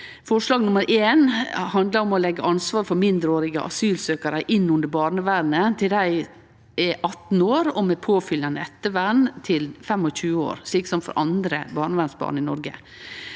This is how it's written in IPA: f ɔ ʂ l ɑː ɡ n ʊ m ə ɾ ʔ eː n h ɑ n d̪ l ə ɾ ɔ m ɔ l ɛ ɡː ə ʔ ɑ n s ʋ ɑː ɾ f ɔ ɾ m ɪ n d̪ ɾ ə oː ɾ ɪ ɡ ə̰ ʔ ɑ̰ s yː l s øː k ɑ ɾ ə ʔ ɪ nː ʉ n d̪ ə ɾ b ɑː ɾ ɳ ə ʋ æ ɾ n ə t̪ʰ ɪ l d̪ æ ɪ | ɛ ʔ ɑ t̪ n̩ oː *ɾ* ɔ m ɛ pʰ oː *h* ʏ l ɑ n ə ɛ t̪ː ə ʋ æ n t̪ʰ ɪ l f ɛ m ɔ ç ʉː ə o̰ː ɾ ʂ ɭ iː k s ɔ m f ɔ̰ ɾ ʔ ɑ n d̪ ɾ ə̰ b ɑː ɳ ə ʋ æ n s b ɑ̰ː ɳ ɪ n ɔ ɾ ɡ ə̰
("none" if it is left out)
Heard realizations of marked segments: ɾ, f

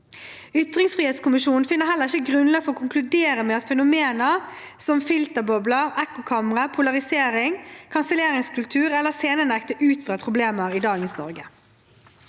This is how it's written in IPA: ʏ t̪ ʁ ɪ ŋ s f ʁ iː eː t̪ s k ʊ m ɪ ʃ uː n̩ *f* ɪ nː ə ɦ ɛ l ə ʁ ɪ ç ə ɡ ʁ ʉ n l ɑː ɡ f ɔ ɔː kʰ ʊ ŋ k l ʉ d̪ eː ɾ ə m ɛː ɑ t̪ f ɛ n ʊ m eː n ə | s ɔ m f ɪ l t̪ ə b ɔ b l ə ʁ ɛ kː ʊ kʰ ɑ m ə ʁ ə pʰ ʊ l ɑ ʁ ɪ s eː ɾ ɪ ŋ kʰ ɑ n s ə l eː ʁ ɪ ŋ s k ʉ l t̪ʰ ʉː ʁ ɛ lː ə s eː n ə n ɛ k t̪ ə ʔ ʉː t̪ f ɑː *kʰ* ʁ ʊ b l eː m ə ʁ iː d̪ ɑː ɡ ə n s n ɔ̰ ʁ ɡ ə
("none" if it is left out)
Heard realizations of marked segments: f, pʰ

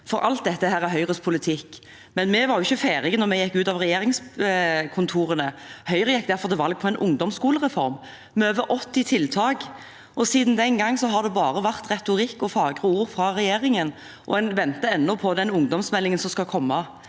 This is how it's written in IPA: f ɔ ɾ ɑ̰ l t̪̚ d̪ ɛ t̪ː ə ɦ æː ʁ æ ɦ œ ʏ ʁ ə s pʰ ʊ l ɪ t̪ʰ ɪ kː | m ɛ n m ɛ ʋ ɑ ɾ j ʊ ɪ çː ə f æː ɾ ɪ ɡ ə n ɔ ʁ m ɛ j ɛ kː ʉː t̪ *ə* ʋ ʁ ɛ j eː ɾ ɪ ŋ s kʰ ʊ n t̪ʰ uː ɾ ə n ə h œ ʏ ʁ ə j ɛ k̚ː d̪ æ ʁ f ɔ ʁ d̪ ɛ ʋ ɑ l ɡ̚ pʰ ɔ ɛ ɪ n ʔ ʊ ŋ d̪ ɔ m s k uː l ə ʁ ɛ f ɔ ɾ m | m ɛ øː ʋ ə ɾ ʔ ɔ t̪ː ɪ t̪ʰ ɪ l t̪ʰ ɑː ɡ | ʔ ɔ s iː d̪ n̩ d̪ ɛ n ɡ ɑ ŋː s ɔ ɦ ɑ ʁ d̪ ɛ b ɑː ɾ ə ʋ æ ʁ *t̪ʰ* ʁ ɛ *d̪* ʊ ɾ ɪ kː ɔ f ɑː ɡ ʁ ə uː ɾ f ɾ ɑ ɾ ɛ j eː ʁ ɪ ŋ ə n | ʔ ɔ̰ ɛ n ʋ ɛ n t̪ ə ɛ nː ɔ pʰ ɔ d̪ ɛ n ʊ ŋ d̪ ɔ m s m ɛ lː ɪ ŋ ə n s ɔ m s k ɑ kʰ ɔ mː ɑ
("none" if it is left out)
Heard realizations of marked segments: ɑ, t̪, t̪

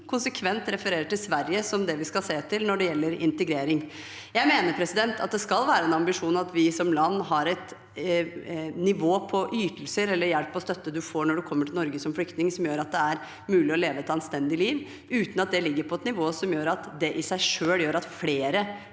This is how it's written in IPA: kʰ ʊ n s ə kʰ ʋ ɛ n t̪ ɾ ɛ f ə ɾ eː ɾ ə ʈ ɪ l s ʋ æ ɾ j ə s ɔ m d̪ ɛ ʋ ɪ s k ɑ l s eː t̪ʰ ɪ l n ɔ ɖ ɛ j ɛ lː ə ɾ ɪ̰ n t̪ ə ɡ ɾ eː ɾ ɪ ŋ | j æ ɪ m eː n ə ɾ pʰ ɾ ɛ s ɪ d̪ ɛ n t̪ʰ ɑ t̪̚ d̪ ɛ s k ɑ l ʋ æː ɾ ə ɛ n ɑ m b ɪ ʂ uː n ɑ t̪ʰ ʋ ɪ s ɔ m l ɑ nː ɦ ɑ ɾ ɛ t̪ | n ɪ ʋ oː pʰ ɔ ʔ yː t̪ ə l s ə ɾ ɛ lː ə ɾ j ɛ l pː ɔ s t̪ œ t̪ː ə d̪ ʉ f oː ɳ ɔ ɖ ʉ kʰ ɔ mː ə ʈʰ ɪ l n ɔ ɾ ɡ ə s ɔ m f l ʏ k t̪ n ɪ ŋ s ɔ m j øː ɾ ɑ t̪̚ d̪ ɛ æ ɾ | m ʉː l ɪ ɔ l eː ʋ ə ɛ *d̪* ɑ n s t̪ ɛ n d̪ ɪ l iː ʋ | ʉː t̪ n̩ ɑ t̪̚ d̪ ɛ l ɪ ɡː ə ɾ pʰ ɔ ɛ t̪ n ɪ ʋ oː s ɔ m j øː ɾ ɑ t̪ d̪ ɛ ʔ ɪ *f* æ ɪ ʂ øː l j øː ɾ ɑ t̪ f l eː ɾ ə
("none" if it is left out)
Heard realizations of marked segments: t̪, s

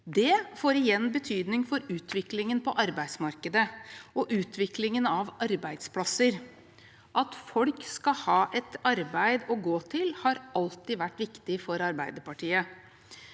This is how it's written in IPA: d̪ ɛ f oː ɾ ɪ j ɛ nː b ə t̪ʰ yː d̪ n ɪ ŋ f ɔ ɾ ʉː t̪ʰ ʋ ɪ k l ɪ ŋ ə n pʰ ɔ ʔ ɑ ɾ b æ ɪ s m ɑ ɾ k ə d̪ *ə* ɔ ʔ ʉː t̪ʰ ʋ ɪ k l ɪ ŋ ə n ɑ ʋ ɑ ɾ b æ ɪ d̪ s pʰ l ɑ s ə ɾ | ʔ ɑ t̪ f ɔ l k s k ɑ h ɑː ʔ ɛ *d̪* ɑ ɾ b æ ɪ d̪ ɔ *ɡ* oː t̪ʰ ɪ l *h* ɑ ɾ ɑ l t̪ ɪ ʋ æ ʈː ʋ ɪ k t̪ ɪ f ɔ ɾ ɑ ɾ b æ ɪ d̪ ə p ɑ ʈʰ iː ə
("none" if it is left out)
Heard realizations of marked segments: ə, t̪, ɡ, h

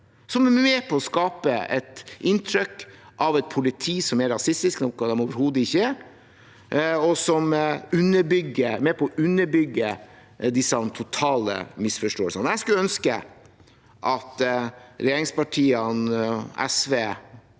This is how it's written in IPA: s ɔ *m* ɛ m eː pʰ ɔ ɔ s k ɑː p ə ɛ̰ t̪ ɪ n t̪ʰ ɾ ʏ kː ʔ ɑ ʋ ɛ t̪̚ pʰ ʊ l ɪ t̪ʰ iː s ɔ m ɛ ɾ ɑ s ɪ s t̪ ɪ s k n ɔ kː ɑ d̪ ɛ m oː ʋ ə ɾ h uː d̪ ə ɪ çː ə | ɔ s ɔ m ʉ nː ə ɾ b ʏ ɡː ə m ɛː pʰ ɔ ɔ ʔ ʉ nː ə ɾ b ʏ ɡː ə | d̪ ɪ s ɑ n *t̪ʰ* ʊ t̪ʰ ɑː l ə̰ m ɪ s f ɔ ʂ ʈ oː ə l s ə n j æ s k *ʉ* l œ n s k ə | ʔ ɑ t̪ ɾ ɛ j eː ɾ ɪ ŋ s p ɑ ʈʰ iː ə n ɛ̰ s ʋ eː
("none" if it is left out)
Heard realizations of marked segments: m, t̪ʰ, ʉ

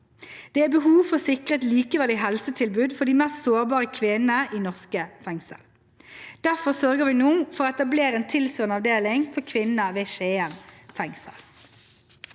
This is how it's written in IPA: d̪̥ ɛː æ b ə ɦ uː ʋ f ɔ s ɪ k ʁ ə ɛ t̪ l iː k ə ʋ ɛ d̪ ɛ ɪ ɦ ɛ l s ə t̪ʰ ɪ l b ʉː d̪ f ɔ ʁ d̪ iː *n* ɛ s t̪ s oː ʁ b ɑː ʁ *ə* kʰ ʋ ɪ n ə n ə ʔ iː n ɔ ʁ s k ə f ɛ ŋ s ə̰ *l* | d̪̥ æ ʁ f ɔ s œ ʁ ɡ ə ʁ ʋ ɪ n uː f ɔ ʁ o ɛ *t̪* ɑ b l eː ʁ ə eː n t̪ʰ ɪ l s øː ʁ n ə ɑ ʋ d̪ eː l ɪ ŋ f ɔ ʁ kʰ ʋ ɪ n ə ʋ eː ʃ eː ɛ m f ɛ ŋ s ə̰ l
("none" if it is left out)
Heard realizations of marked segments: m, ə, l, t̪

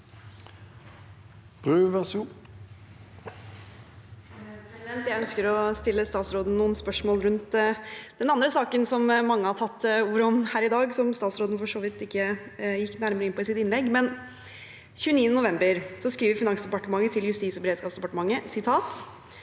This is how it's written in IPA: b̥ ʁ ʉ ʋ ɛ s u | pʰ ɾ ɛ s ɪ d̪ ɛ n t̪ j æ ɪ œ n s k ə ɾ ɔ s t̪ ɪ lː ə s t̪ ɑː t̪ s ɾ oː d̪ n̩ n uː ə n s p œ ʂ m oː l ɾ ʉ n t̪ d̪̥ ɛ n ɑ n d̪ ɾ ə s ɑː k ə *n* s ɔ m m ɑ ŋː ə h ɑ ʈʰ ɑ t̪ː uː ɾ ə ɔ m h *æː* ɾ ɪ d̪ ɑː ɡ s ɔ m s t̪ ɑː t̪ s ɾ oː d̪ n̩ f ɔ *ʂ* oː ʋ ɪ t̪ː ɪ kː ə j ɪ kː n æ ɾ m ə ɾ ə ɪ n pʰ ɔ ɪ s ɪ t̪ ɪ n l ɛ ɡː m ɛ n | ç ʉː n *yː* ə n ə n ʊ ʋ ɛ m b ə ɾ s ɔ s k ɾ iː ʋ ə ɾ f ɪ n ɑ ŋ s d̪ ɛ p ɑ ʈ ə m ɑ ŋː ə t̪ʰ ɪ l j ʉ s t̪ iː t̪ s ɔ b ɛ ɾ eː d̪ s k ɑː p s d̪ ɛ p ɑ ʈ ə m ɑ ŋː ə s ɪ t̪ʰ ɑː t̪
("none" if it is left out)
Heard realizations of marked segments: n, æː, ʂ, iː

